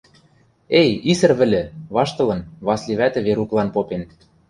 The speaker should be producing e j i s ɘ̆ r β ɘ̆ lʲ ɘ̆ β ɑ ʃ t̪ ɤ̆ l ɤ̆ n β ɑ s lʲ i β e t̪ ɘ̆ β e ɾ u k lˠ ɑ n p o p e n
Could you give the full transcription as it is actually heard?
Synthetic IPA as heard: e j i s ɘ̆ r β ɘ̆ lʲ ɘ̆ β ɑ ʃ t̪ ɤ̆ l ɤ̆ n β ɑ s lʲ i β æ t̪ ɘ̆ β e ɾ u k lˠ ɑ n p o p e n